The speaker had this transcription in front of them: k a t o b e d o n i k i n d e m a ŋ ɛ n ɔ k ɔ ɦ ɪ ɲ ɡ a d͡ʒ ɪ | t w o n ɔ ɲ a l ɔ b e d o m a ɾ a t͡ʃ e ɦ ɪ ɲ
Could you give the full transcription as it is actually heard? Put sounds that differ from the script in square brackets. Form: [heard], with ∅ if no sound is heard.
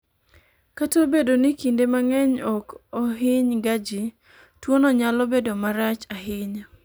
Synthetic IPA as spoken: k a t o b e d o n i k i n d e m a ŋ ɛ [ɲ] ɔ k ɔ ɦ ɪ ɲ ɡ a d͡ʒ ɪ | t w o n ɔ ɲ a l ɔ b e d o m a ɾ a t͡ʃ [a] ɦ ɪ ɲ